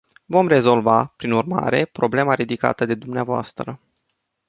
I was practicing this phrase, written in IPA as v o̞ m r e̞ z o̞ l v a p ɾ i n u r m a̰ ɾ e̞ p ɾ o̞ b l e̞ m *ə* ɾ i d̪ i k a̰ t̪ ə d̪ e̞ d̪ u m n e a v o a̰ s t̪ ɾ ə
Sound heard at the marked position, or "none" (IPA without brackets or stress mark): a